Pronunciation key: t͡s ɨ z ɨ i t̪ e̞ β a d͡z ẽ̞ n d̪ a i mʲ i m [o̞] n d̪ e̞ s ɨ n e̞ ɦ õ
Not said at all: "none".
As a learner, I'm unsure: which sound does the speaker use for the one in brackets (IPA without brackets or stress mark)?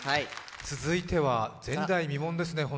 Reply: õ̞